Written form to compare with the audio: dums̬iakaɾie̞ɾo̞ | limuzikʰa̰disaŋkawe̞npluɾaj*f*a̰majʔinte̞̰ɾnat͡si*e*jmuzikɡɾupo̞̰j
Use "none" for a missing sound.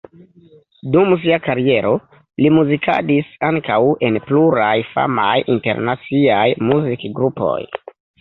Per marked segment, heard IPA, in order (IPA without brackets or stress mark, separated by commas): f, a